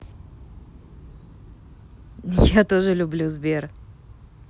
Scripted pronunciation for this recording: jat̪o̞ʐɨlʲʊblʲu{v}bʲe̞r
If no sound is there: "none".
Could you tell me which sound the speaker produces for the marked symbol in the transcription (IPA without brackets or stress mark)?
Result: z